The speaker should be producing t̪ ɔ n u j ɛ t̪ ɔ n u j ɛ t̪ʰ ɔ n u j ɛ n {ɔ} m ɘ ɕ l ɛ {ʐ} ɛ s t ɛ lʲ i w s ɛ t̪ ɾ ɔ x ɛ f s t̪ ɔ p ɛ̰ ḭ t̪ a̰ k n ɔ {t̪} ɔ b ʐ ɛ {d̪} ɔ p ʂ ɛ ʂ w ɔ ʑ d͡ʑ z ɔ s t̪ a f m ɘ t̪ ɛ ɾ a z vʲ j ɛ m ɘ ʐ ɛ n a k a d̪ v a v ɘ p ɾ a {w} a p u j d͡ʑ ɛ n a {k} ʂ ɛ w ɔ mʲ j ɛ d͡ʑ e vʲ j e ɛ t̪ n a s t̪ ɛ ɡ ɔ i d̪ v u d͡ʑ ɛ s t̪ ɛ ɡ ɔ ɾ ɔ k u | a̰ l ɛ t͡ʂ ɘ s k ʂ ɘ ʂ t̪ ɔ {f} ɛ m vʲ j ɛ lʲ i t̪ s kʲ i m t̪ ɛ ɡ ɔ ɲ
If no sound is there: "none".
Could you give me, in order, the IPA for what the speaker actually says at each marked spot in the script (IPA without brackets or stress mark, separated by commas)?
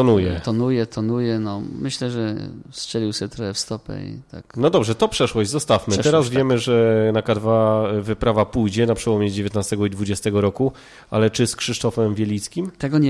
ɔ, ʐ, d̪, t̪, v, p, f